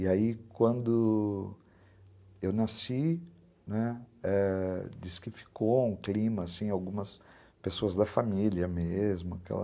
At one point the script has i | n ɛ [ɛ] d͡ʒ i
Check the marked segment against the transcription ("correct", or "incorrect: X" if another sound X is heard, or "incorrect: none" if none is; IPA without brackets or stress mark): correct